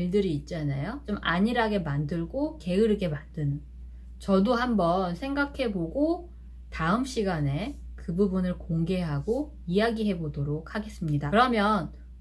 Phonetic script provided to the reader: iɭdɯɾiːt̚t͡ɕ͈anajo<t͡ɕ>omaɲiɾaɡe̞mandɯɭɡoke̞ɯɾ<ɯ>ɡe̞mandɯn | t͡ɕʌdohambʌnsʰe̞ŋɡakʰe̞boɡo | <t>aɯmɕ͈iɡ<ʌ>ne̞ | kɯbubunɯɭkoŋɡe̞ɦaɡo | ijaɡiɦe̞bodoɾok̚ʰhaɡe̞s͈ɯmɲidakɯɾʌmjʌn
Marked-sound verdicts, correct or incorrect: correct, correct, correct, incorrect

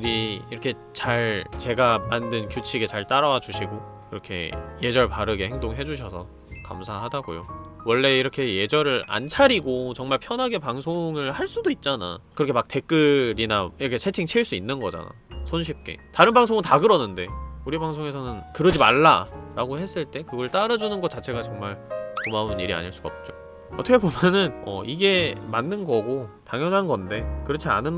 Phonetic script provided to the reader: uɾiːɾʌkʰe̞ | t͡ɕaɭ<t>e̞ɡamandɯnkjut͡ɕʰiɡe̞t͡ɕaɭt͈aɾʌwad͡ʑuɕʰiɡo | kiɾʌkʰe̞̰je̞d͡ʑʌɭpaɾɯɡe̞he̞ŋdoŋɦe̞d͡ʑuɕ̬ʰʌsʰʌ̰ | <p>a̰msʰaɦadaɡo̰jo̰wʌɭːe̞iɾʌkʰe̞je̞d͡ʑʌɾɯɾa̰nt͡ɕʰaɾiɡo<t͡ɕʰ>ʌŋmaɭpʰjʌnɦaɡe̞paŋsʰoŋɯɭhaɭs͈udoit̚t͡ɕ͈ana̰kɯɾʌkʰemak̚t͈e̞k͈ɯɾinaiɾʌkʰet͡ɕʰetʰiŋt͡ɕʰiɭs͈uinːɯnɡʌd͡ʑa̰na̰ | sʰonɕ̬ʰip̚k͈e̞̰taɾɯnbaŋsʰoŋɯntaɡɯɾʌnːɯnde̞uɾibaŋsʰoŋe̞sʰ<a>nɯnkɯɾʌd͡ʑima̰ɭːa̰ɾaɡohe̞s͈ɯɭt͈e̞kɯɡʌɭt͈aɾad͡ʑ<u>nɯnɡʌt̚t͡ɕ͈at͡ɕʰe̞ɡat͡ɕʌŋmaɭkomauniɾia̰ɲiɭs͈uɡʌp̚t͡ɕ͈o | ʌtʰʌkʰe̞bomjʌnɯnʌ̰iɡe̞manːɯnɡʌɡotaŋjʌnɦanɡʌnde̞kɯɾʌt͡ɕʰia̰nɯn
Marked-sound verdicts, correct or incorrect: incorrect, incorrect, incorrect, incorrect, correct

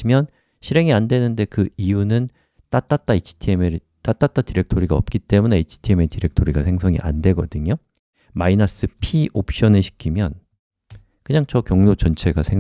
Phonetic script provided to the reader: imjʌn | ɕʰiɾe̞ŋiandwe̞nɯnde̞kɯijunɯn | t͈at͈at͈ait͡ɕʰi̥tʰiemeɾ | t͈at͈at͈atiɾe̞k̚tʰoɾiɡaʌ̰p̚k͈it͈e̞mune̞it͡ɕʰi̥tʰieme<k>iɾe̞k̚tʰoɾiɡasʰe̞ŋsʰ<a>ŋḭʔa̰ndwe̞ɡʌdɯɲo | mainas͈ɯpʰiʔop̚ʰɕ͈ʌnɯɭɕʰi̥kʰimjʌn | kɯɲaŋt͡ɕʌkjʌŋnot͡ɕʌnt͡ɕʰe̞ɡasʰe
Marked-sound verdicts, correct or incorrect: incorrect, incorrect

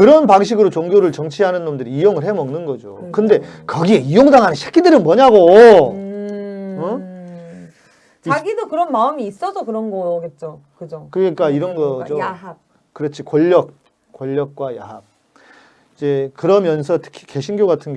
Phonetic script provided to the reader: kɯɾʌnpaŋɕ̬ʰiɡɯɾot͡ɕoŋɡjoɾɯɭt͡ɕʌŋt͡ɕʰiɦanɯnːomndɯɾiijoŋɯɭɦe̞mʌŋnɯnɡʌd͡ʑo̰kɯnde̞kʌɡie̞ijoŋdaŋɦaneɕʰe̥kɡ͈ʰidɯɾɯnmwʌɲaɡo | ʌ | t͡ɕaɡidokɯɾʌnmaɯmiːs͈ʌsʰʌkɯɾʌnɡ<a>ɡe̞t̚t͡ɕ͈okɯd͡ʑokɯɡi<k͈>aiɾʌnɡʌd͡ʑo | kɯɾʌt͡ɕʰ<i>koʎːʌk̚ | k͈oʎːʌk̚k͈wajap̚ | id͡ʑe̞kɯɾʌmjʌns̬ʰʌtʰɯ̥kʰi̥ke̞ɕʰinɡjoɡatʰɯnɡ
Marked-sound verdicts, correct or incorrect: incorrect, correct, correct

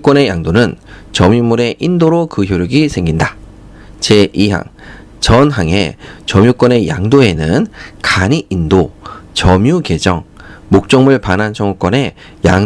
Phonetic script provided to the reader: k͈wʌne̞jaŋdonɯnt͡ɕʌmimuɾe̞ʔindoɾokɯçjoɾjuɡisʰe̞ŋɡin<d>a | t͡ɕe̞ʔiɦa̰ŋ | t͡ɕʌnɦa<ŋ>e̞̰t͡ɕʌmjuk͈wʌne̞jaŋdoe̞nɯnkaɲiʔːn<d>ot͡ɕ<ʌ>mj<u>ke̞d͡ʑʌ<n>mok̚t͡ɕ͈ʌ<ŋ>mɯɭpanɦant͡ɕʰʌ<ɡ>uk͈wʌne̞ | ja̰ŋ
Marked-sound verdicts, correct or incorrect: correct, correct, correct, correct, correct, incorrect, correct, incorrect

